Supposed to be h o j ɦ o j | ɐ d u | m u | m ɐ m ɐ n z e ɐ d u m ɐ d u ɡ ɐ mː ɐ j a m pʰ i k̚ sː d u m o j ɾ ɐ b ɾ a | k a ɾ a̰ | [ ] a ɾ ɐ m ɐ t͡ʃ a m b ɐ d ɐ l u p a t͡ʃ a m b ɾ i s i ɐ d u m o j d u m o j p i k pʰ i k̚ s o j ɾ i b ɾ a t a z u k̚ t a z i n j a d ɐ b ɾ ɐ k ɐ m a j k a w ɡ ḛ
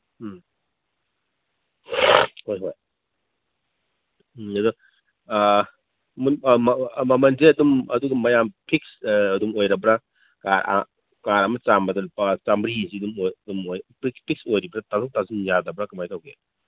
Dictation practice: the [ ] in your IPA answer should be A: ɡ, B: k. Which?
B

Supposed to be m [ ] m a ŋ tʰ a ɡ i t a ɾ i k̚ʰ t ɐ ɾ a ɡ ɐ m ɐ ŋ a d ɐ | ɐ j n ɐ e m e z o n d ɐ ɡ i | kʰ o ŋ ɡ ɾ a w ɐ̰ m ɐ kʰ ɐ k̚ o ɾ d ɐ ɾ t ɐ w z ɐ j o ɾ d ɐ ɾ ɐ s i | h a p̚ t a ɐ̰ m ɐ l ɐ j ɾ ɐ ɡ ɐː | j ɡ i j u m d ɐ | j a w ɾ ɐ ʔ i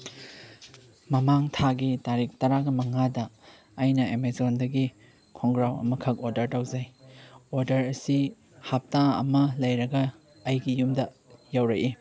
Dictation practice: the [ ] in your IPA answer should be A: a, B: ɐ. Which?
B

